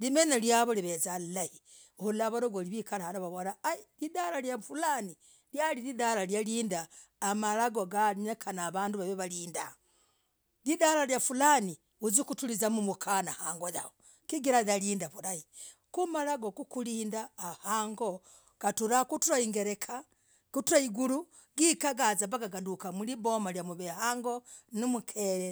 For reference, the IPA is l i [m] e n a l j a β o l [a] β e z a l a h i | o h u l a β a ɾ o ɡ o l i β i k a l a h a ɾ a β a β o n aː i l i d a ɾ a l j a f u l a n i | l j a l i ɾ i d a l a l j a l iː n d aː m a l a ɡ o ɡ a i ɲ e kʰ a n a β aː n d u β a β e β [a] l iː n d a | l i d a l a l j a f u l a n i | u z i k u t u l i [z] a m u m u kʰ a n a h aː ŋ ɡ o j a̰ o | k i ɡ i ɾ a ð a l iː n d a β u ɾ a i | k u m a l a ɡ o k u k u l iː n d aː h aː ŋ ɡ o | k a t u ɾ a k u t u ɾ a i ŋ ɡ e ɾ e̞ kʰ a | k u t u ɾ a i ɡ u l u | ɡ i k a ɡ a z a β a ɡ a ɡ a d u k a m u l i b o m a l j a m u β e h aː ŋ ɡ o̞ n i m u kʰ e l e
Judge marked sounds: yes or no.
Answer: yes, no, yes, yes

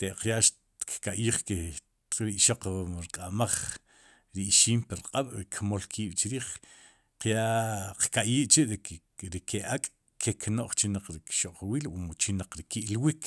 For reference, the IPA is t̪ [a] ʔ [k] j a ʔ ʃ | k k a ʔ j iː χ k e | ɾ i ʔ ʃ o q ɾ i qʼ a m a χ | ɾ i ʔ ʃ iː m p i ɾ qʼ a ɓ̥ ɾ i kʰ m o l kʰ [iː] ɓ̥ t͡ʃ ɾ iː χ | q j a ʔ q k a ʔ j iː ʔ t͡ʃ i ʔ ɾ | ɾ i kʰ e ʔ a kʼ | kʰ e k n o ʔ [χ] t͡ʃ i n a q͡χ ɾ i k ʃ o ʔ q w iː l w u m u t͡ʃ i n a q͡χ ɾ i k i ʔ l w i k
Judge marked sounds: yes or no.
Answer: no, no, yes, yes

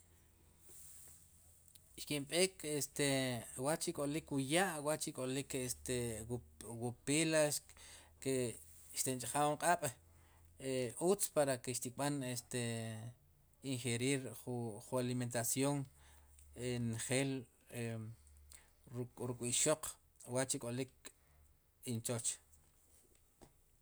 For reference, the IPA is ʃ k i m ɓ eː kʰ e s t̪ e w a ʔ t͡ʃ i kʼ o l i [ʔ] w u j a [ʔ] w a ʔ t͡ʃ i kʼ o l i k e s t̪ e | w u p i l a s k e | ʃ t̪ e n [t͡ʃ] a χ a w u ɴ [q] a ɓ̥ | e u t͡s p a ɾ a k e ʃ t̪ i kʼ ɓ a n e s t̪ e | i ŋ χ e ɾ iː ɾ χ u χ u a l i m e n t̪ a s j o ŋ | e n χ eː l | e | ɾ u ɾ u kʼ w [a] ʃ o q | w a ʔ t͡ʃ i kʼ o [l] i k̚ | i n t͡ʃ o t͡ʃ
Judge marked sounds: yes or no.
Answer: no, yes, no, no, no, yes

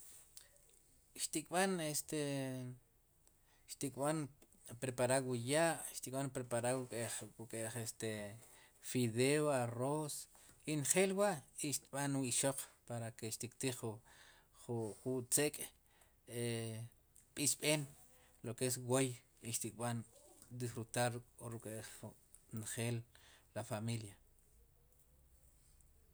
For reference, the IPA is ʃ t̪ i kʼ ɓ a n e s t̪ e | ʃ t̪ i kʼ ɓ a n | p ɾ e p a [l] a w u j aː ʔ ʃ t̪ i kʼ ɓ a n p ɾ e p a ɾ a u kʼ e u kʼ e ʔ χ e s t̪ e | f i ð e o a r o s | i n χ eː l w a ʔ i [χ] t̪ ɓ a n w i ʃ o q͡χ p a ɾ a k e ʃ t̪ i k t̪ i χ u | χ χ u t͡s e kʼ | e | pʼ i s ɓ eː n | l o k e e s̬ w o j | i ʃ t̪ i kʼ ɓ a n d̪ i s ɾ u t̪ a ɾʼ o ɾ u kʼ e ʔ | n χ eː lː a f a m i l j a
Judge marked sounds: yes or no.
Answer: no, no

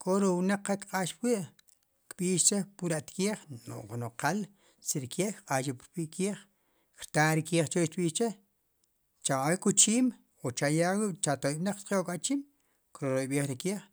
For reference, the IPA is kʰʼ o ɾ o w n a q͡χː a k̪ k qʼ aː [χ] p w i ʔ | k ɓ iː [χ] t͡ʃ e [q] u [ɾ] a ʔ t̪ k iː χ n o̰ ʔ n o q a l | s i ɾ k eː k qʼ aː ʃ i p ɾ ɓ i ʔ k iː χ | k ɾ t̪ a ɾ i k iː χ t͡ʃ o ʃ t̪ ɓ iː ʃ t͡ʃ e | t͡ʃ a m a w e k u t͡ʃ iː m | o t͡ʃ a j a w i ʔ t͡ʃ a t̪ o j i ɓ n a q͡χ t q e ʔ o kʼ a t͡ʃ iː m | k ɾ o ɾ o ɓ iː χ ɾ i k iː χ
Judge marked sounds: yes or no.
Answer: no, no, no, yes

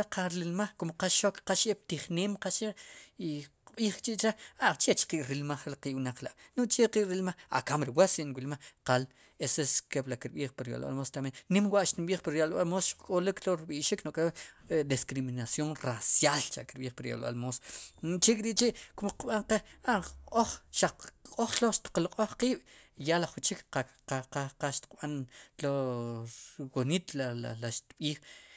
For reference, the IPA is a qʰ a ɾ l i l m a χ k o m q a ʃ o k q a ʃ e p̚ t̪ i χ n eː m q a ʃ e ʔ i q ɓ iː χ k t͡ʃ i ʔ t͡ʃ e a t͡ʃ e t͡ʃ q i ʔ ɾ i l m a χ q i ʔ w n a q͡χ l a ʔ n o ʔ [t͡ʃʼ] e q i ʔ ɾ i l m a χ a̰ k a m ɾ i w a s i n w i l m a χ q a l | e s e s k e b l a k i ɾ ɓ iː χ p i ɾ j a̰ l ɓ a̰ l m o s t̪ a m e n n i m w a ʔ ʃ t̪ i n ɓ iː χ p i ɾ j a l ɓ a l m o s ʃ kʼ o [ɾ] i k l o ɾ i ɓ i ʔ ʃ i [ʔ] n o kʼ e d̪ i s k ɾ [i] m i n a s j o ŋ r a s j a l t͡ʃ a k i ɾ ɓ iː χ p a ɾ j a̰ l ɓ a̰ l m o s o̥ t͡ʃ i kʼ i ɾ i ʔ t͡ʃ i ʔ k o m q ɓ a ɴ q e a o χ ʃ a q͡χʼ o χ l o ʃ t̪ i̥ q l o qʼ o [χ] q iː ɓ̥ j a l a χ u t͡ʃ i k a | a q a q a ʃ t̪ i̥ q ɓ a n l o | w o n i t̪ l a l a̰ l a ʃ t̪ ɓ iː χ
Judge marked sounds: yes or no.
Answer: no, no, no, yes, yes

